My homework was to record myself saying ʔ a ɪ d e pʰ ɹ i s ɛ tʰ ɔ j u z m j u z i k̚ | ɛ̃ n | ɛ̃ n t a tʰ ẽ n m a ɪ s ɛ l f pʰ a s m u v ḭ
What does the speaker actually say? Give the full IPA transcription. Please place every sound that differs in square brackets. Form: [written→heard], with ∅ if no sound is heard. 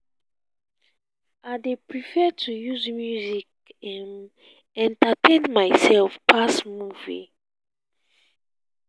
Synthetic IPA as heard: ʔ a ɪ d e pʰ ɹ i [s→f] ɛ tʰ [ɔ→u] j u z m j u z i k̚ | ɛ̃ n | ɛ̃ n t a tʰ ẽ n m a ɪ s ɛ l f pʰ a s m u v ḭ